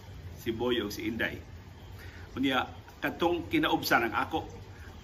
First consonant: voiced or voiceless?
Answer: voiceless